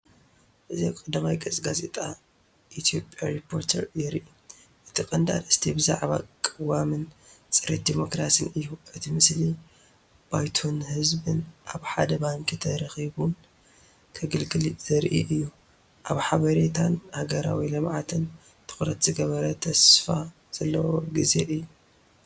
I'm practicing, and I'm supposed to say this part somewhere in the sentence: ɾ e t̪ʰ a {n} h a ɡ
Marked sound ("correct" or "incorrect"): correct